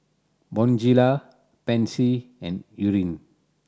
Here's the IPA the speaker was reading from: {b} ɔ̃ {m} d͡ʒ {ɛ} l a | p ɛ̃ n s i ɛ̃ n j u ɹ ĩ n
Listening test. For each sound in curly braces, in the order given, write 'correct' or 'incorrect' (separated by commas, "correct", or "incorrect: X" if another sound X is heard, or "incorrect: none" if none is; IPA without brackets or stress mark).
correct, incorrect: n, incorrect: i